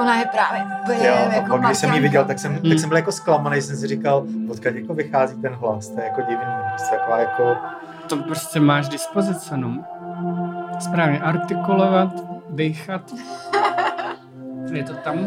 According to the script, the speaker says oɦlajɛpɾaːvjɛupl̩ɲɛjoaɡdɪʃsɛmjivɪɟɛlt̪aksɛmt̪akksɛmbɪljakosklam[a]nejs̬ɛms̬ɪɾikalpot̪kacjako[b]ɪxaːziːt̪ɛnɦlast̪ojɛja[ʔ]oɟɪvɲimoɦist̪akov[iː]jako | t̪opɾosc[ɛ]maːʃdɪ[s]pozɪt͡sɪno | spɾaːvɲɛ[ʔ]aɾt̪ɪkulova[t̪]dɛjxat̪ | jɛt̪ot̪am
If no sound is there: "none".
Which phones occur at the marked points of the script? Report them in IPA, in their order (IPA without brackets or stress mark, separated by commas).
a, v, k, aː, ɛ, s, ʔ, t̪